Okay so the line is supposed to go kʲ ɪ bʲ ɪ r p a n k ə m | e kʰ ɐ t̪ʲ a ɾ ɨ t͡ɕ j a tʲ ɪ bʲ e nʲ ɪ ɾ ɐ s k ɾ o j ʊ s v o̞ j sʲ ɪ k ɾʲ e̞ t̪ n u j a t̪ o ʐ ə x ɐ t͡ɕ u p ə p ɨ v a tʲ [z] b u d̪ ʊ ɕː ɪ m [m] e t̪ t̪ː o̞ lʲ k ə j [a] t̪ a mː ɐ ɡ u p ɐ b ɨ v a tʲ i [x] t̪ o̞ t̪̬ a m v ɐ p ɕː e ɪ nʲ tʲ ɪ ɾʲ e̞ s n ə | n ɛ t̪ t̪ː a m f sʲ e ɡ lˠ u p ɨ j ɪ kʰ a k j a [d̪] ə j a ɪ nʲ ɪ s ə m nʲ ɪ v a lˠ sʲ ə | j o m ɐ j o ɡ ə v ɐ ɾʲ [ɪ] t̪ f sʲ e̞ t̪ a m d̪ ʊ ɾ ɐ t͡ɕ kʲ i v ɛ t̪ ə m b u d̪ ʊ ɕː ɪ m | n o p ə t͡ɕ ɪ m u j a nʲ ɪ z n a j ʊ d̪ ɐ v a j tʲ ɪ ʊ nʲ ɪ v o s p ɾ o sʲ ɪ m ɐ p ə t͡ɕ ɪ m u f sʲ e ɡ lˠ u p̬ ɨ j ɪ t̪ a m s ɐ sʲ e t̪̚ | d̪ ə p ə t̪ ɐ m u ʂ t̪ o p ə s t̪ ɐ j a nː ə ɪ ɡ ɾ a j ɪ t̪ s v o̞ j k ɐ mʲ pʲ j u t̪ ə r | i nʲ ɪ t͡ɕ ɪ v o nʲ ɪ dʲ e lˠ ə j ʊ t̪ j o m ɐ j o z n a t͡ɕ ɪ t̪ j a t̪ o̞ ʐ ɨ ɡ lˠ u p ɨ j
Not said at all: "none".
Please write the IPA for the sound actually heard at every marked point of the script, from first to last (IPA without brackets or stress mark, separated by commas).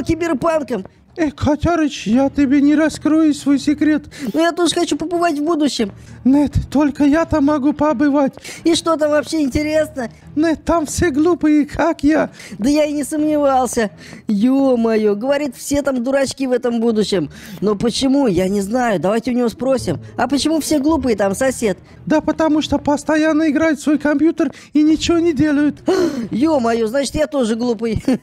v, n, a, ʂ, d̪, i